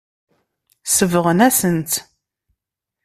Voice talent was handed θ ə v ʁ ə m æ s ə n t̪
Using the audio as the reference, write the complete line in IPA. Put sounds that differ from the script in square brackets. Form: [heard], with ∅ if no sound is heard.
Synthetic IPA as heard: [s] ə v ʁ ə [n] æ s ə n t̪